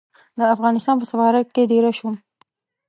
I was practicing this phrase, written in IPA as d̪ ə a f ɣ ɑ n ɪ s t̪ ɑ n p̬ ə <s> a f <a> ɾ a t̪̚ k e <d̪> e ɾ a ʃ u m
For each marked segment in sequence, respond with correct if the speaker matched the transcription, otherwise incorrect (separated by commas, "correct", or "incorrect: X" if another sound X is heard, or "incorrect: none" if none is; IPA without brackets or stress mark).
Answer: correct, incorrect: ɑ, correct